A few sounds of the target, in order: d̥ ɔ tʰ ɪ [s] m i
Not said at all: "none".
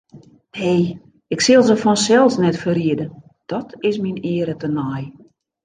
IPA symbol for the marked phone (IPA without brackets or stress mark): s